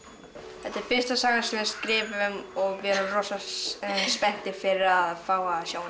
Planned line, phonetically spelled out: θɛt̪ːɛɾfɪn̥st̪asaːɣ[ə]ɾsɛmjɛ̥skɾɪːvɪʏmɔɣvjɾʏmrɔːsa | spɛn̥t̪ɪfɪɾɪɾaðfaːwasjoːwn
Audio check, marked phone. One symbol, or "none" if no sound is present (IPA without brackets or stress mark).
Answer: a